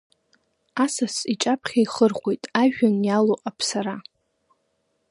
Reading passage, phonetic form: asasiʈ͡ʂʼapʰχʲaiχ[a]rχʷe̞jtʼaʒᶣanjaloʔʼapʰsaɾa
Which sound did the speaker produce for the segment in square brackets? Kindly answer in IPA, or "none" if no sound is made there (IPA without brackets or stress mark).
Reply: ə